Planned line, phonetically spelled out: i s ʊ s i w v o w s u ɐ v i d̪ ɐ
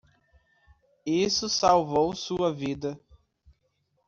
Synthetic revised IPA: i s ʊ s a w v o w s u ɐ v i d̪ ɐ